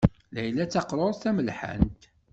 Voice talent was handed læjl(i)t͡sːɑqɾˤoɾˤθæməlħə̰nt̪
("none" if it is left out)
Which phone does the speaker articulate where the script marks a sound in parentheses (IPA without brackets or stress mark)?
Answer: æ